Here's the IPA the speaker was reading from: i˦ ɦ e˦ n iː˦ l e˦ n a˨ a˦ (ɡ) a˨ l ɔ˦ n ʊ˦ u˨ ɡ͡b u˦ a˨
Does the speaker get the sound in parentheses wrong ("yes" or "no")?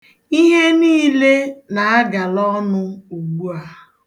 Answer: no